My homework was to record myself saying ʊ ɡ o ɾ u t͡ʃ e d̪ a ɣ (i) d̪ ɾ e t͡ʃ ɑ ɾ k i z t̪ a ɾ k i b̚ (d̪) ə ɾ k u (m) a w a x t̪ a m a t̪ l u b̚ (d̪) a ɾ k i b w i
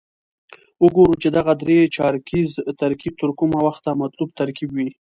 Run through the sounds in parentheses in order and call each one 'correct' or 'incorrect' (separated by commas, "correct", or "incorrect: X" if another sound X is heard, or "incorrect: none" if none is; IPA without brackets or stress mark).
incorrect: a, incorrect: t̪, correct, incorrect: t̪